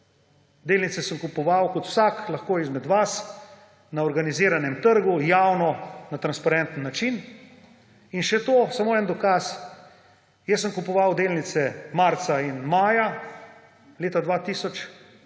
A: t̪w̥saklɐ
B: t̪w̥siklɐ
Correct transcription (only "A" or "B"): A